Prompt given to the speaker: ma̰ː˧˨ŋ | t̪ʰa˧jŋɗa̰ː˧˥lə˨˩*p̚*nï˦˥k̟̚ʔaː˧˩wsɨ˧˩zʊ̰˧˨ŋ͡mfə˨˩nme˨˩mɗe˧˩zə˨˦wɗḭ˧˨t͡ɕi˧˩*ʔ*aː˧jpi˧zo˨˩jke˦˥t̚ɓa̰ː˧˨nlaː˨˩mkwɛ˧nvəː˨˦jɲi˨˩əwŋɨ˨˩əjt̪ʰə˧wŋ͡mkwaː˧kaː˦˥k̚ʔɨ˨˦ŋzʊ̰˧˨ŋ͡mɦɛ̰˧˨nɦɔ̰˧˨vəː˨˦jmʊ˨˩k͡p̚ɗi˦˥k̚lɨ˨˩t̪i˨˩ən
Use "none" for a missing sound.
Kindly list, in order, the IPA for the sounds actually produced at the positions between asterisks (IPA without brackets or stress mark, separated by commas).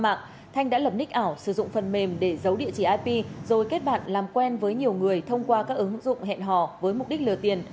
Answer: p̚, ʔ